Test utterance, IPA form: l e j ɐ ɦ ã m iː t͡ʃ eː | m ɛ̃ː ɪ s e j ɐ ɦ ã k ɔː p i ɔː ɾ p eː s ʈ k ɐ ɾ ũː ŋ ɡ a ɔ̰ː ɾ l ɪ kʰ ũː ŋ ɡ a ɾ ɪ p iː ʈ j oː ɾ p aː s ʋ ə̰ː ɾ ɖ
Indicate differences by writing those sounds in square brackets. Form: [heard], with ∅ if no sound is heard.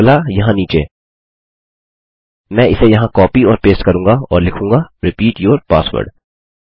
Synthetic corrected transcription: l [a] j ɐ ɦ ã [n] iː t͡ʃ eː | m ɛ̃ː ɪ s e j ɐ ɦ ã k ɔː p i ɔː ɾ p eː s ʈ k ɐ ɾ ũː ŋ ɡ a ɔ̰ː ɾ l ɪ kʰ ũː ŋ ɡ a ɾ ɪ p iː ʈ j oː ɾ p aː s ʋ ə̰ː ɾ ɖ